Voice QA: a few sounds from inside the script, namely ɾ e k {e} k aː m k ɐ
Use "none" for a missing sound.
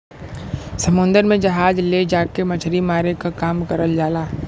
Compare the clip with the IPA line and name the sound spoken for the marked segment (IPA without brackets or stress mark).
a